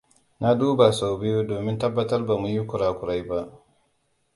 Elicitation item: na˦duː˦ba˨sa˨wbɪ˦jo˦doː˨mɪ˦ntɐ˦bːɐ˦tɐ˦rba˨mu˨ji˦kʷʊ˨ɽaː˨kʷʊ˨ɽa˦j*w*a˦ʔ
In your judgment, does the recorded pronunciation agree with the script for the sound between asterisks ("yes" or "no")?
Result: no